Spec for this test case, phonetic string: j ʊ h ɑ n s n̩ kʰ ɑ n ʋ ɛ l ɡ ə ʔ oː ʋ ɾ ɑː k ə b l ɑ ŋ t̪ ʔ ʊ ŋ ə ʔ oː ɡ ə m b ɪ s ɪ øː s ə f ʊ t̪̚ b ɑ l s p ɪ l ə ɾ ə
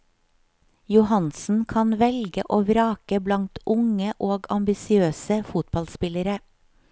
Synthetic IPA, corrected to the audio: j ʊ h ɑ n s n̩ kʰ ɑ n ʋ ɛ l ɡ ə ʔ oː ʋ ɾ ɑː k ə b l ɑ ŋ t̪ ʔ ʊ ŋ ə ʔ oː ɡ ɑ m b ɪ s ɪ øː s ə f ʊ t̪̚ b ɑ l s p ɪ l ə ɾ ə

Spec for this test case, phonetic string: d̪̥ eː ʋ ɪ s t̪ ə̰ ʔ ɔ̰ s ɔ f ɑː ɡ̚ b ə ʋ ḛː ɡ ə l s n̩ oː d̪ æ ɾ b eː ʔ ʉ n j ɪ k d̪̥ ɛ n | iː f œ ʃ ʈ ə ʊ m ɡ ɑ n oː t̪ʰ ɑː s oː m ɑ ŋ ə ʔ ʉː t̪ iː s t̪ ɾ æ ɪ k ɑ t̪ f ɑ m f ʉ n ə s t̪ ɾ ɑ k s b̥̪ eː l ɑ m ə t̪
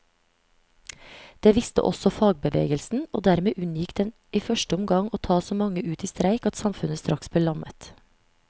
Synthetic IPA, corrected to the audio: d̪̥ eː ʋ ɪ s t̪ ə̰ ʔ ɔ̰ s ɔ f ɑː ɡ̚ b ə ʋ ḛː ɡ ə l s n̩ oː d̪ æ ɾ m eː ʔ ʉ n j ɪ k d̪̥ ɛ n | iː f œ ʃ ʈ ə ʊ m ɡ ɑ ŋ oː t̪ʰ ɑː s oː m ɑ ŋ ə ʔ ʉː t̪ iː s t̪ ɾ æ ɪ k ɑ t̪ s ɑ m f ʉ n ə s t̪ ɾ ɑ k s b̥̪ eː l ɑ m ə t̪

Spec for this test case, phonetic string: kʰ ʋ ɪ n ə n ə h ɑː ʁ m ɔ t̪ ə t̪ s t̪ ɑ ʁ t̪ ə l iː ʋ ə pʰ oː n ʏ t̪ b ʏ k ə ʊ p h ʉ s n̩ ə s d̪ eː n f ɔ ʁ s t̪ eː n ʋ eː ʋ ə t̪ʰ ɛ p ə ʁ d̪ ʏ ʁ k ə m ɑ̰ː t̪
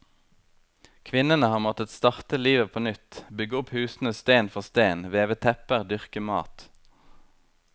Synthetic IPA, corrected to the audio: kʰ ʋ ɪ n ə n ə h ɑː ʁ m ɔ t̪ ə t̪ s t̪ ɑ ʁ t̪ ə l iː ʋ ə pʰ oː n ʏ t̪ b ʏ ɡ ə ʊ p h ʉː s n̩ ə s t̪ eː n f ɔ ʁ s t̪ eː n ʋ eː ʋ ə t̪ʰ ɛ p ə ʁ d̪ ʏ ʁ k ə m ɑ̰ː t̪

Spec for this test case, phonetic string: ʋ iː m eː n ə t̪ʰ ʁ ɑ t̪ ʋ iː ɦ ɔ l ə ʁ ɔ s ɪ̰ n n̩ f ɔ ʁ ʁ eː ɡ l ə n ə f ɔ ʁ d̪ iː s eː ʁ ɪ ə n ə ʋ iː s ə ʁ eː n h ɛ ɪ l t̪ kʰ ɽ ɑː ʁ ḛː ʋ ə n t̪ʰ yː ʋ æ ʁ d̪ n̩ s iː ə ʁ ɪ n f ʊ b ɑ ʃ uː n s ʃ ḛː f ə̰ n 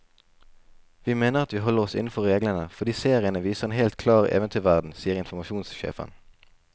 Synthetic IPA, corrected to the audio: ʋ iː m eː n ə ʁ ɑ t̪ ʋ iː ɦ ɔ l ə ʁ ɔ s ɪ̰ n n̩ f ɔ ʁ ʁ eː ɡ l ə n ə f ɔ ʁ d̪ iː s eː ʁ ɪ ə n ə ʋ iː s ə ʁ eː n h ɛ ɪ l t̪ kʰ l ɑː ʁ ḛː ʋ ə n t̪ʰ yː ʋ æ ʁ d̪ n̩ s iː ə ʁ ɪ n f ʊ m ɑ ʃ uː n s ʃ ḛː f ə̰ n

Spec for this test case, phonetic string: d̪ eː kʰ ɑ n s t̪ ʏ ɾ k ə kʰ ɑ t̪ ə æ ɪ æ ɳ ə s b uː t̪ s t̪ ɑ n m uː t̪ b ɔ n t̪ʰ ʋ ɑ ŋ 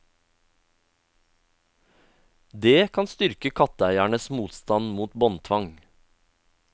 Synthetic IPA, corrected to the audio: d̪ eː kʰ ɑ n s t̪ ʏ ɾ k ə kʰ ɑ t̪ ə æ ɪ æ ɳ ə s m uː t̪ s t̪ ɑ n m uː t̪ b ɔ n t̪ʰ ʋ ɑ ŋ

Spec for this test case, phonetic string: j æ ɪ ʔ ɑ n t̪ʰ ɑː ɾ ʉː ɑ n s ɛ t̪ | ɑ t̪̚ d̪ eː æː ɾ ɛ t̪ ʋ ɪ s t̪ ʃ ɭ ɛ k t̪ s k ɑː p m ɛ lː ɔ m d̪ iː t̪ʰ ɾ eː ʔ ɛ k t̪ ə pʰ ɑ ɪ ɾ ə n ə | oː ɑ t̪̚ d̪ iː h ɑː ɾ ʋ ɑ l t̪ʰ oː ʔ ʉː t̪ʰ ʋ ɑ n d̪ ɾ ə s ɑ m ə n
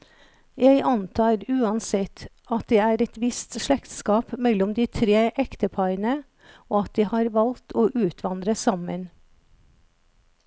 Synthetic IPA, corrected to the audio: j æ ɪ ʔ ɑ n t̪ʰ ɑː ɾ ʉː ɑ n s ɛ t̪ | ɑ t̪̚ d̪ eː æː ɾ ɛ t̪ ʋ ɪ s t̪ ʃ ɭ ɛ k t̪ s k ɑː p m ɛ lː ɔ m d̪ iː t̪ʰ ɾ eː ʔ ɛ k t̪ ə pʰ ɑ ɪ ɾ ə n ə | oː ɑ t̪̚ d̪ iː h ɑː ɾ ʋ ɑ l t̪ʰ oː ʔ ʉː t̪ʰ ʋ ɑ n d̪ ɾ ə s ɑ m ə n

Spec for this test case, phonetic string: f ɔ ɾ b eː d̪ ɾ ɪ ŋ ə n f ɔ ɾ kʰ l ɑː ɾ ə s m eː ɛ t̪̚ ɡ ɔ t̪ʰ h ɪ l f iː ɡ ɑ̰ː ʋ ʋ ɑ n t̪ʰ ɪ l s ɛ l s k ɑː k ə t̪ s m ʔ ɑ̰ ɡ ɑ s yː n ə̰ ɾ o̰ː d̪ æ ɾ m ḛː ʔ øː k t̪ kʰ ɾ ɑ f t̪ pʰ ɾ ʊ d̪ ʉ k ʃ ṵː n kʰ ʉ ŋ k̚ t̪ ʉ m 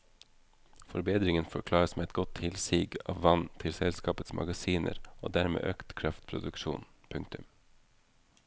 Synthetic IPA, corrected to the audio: f ɔ ɾ b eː d̪ ɾ ɪ ŋ ə n f ɔ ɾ kʰ l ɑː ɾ ə s m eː ɛ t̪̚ ɡ ɔ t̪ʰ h ɪ l s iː ɡ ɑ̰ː ʋ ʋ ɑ n t̪ʰ ɪ l s ɛ l s k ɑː p ə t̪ s m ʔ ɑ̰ ɡ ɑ s iː n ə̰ ɾ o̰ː d̪ æ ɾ m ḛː ʔ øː k t̪ kʰ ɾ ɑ f t̪ pʰ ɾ ʊ d̪ ʉ k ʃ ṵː n pʰ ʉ ŋ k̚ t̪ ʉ m

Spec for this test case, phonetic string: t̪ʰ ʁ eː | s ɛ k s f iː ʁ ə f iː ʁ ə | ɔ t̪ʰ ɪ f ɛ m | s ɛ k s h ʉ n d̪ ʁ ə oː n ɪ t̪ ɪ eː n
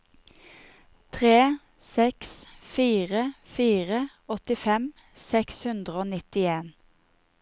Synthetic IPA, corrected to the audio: t̪ʰ ʁ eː | s ɛ k s f iː ʁ ə f iː ʁ ə | ɔ t̪ ɪ f ɛ m | s ɛ k s h ʉ n d̪ ʁ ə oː n ɪ t̪ ɪ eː n

